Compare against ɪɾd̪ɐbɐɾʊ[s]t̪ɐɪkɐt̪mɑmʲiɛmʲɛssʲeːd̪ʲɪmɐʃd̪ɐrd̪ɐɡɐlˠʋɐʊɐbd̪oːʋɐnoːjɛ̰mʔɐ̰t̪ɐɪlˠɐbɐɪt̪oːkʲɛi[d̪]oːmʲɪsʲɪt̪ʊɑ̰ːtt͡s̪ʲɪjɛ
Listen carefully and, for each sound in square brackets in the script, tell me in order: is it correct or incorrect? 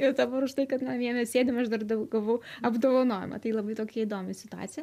incorrect: ʃ, correct

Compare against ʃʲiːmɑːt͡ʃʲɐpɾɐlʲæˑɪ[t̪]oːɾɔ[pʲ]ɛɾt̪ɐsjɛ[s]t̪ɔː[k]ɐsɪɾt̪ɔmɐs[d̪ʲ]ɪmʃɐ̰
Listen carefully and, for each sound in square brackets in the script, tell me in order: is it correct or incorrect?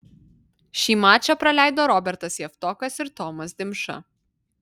incorrect: d̪, incorrect: bʲ, incorrect: f, correct, correct

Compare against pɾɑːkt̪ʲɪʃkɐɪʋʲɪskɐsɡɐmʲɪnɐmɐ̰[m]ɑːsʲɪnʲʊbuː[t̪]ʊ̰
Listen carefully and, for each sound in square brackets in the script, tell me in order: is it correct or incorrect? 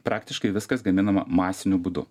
correct, incorrect: d̪

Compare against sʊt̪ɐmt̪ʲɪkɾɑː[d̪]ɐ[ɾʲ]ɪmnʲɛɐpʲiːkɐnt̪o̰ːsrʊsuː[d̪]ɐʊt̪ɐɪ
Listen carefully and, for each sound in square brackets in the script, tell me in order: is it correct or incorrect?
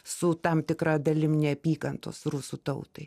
correct, incorrect: lʲ, incorrect: t̪

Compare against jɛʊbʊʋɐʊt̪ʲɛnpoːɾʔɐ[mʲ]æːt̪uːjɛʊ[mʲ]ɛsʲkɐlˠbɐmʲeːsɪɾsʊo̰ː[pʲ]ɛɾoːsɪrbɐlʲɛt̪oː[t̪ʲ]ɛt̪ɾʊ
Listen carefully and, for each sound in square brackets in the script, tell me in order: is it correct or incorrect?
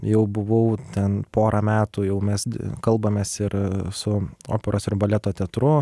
correct, correct, correct, correct

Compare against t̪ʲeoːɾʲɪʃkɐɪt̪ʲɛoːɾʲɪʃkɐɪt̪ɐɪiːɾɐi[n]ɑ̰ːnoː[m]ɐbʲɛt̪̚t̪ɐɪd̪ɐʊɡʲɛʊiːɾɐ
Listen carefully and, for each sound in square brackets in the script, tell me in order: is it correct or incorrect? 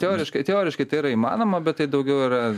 incorrect: m, correct

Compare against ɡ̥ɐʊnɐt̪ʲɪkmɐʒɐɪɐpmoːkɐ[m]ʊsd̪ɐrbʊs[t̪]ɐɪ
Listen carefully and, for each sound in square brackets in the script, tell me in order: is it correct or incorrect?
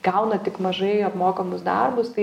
correct, correct

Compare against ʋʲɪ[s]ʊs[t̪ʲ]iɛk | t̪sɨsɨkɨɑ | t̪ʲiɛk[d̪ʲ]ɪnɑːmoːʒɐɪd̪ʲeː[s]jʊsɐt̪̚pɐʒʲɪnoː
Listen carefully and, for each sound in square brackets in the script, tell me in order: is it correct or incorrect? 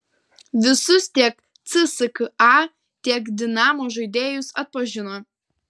correct, correct, correct, incorrect: none

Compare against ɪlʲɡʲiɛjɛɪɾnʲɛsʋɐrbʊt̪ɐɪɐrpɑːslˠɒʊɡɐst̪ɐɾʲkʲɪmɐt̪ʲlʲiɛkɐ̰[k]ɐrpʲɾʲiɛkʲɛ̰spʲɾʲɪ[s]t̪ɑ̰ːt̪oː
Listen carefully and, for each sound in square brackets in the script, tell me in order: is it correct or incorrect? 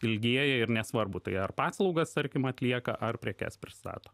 incorrect: ʔ, correct

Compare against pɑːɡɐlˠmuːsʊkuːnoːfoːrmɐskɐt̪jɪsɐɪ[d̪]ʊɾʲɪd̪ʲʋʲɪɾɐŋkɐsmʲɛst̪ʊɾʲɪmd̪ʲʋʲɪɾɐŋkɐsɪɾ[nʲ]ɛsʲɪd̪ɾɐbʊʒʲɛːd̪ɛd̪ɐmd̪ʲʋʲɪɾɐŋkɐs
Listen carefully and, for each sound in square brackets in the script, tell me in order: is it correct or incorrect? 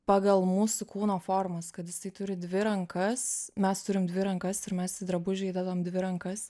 incorrect: t̪, incorrect: mʲ

